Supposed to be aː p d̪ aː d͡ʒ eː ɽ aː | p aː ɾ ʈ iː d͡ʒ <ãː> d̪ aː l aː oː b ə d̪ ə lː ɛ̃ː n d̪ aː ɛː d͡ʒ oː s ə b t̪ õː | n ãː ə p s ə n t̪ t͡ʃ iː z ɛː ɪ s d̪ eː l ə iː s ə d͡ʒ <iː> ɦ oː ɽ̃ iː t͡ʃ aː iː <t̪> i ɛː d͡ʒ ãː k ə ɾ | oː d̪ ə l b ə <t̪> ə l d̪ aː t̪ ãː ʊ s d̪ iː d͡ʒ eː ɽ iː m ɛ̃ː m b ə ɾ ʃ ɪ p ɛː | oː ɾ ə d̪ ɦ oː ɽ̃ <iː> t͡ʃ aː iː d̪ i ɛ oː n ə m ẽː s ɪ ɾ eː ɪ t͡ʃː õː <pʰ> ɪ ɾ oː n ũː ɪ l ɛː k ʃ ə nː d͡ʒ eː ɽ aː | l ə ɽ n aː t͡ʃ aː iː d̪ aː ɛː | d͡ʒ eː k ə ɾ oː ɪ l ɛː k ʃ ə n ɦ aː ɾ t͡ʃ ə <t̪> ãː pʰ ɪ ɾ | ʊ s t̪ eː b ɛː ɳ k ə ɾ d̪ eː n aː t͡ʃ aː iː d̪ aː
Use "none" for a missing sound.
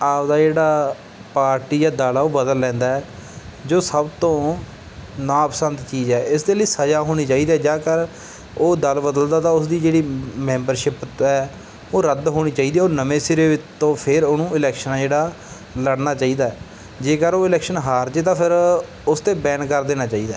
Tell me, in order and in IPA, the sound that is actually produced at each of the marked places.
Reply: aː, aː, d̪, d̪, iː, pʰ, t̪

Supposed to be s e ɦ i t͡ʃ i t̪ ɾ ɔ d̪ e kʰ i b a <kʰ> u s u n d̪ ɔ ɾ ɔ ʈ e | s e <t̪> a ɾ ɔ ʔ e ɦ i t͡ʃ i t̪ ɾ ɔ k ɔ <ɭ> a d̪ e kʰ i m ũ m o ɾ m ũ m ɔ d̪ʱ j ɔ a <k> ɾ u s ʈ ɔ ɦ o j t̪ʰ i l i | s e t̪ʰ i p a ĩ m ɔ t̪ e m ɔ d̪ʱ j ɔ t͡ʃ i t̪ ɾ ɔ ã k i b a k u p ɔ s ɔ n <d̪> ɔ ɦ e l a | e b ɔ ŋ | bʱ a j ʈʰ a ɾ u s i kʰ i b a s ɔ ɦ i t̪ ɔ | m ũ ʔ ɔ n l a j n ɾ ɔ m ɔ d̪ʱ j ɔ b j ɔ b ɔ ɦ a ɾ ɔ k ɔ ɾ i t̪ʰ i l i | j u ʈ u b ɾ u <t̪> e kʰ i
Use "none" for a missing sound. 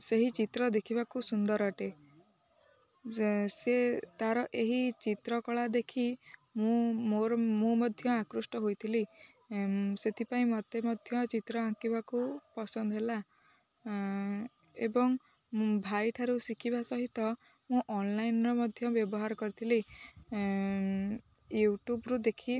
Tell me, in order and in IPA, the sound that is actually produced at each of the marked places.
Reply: k, t̪, ɭ, k, d̪, d̪

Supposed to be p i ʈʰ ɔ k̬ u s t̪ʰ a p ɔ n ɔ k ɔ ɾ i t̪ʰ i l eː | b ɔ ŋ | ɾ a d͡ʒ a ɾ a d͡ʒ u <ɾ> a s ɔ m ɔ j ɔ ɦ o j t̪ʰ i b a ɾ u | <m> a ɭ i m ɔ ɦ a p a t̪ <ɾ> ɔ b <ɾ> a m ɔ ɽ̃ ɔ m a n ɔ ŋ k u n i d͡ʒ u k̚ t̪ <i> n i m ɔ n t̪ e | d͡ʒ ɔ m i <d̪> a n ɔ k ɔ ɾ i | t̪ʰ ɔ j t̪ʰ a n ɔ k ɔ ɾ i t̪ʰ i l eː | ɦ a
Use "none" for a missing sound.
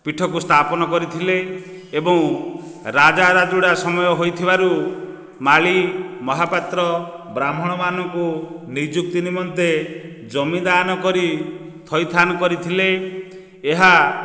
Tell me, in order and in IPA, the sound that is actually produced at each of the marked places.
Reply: ɽ, m, ɾ, ɾ, i, d̪

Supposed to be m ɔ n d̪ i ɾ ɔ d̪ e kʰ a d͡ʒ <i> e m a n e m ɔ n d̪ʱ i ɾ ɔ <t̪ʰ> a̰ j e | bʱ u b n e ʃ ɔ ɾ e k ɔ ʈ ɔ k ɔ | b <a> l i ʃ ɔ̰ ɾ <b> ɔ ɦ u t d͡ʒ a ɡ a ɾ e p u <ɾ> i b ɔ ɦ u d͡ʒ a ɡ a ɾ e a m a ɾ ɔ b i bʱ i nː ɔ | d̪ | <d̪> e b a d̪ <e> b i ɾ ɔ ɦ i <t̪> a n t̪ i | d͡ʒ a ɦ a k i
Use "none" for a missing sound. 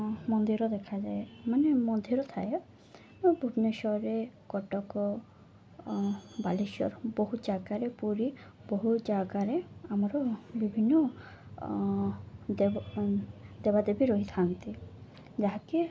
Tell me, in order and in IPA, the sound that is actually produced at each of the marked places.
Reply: a, t̪ʰ, a, b, ɾ, d̪, e, t̪ʰ

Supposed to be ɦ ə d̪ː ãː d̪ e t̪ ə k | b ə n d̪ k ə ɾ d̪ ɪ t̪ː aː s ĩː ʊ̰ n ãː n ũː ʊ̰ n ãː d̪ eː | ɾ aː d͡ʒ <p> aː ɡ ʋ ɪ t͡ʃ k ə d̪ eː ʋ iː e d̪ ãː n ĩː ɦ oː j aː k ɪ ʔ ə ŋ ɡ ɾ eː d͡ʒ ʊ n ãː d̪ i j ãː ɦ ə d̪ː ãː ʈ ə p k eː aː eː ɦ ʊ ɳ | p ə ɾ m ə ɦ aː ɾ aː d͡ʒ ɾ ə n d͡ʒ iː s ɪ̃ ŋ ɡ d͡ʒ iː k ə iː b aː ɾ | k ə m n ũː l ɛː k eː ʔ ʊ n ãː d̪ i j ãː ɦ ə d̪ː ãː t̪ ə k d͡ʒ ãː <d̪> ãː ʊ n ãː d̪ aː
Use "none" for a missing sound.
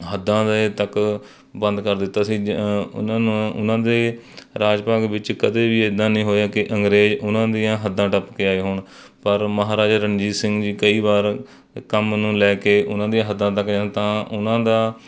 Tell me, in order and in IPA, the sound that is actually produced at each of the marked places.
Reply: p, t̪

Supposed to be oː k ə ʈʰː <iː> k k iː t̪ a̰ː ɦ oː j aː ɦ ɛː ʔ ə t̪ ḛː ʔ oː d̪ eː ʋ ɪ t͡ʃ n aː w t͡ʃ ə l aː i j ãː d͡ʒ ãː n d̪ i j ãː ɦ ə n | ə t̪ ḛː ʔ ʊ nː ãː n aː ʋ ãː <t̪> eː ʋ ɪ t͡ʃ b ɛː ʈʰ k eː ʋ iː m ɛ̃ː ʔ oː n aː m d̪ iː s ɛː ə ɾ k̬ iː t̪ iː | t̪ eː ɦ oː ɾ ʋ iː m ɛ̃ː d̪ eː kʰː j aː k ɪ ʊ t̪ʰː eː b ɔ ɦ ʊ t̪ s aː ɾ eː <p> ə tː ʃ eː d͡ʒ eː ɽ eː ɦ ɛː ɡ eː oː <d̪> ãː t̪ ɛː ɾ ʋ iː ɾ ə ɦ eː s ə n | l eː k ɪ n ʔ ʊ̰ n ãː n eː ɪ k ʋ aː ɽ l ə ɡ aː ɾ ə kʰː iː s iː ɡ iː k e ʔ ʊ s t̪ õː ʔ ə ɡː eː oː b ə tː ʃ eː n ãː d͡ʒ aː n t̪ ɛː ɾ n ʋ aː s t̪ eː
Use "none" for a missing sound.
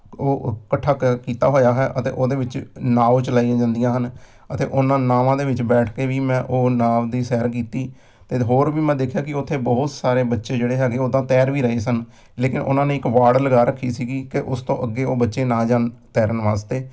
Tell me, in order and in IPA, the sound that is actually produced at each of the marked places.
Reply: aː, d̪, b, d̪

